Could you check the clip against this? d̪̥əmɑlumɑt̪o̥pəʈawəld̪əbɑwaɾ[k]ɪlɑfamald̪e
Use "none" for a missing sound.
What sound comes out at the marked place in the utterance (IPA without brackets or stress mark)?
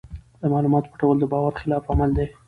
x